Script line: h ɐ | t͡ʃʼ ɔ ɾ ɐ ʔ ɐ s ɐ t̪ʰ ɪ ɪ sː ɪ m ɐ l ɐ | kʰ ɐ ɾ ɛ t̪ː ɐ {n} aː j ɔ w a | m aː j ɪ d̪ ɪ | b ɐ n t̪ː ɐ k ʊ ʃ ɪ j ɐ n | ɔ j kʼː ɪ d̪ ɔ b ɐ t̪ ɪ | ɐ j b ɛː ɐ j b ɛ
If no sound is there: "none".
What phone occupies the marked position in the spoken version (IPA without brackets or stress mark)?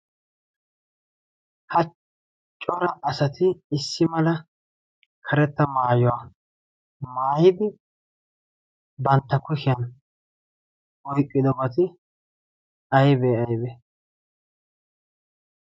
m